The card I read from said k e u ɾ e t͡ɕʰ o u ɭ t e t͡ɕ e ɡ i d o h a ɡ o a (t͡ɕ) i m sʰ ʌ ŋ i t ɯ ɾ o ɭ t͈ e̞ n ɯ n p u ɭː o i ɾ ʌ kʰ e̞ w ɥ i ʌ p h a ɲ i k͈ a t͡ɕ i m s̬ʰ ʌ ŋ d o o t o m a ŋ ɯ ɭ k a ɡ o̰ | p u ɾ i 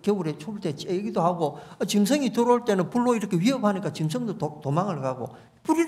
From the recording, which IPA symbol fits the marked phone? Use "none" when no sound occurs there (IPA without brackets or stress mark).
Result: t͡ɕ